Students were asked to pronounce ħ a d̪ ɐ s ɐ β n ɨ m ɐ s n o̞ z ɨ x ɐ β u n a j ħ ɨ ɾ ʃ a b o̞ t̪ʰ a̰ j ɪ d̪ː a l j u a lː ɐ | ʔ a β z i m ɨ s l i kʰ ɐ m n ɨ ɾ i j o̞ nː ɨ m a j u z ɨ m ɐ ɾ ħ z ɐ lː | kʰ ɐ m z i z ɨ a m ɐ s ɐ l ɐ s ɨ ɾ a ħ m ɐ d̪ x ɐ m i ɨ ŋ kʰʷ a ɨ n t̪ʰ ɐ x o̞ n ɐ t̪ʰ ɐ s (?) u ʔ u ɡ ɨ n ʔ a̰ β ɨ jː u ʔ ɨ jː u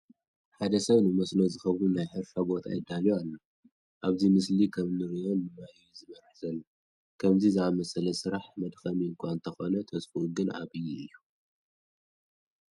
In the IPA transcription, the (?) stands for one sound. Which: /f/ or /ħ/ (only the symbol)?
f